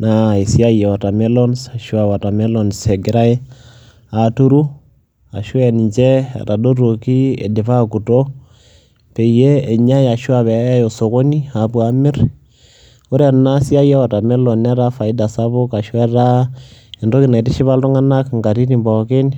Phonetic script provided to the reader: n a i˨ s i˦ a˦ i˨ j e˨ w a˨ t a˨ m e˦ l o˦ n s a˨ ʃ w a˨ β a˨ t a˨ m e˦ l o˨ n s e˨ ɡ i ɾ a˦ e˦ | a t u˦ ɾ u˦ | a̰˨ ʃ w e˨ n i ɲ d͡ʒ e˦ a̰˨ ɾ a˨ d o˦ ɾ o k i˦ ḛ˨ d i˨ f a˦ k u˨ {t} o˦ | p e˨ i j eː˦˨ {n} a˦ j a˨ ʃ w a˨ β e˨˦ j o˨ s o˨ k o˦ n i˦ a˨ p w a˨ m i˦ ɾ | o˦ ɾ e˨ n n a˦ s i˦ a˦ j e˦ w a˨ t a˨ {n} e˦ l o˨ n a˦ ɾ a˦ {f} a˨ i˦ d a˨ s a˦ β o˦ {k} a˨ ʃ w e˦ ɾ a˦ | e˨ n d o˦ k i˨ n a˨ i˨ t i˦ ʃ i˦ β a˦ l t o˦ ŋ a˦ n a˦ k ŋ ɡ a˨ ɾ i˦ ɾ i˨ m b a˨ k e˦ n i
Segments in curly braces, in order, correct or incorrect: correct, incorrect: ɲ, incorrect: m, correct, correct

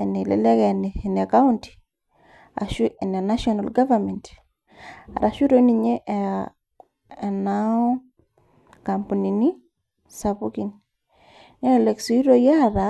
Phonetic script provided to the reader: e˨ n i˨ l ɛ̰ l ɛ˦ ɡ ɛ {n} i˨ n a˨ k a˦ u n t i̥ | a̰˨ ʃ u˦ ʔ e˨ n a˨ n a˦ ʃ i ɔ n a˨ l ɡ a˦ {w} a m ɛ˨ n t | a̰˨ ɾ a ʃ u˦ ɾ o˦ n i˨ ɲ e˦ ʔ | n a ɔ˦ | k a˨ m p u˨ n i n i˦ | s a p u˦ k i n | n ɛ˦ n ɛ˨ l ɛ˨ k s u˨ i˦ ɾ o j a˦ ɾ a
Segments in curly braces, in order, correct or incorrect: correct, incorrect: v

